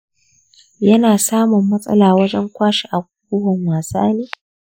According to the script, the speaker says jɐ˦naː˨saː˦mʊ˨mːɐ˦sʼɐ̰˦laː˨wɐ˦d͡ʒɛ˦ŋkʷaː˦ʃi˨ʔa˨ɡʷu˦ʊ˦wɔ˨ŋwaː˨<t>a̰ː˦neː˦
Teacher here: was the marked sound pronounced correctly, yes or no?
no